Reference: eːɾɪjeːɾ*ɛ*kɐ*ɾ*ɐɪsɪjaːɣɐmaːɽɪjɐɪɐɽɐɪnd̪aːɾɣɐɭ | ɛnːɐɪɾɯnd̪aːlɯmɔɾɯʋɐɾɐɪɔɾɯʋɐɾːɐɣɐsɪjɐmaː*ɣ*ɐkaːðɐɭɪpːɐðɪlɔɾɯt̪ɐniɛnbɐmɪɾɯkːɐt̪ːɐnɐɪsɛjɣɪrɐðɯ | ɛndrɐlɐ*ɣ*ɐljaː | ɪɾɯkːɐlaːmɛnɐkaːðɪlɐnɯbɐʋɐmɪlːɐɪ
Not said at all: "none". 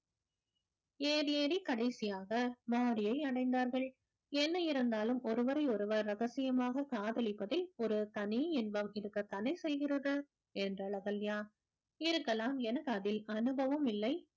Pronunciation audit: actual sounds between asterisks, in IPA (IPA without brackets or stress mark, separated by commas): i, ɽ, ɣ, ɣ